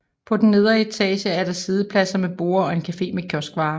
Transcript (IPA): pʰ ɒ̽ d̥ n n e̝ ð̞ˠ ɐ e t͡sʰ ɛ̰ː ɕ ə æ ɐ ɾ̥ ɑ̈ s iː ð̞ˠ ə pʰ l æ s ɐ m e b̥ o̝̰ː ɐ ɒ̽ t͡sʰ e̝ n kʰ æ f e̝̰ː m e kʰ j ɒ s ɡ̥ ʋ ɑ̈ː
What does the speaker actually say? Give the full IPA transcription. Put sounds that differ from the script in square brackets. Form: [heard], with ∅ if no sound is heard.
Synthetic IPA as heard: pʰ ɒ̽ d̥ n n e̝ ð̞ˠ ɐ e t͡sʰ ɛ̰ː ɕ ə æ ɐ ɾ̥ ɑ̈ s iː ð̞ˠ ə pʰ l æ s ɐ m e b̥ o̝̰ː ɐ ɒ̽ [∅] e̝ n kʰ æ f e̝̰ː m e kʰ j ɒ s ɡ̥ ʋ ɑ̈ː